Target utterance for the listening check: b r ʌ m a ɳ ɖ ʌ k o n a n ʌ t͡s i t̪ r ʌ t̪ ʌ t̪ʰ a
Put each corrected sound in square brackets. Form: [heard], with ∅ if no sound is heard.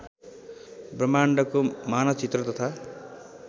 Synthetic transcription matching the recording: b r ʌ m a ɳ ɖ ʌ k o [m] a n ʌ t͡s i t̪ r ʌ t̪ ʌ t̪ʰ a